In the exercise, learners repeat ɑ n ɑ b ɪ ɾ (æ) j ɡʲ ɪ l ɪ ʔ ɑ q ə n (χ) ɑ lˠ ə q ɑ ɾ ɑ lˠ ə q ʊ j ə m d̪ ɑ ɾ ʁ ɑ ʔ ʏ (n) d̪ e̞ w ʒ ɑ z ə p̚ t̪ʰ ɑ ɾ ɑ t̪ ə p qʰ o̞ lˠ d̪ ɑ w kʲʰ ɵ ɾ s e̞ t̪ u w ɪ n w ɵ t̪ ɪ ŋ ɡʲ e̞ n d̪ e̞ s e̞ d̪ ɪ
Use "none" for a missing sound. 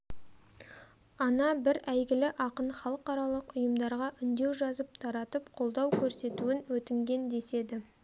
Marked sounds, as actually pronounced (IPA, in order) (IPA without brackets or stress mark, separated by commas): æ, χ, n